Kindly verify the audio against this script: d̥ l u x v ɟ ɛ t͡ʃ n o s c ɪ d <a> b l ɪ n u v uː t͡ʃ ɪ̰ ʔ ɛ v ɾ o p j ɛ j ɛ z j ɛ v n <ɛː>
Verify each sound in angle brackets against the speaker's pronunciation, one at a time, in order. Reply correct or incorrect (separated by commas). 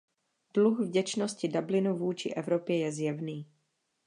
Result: correct, incorrect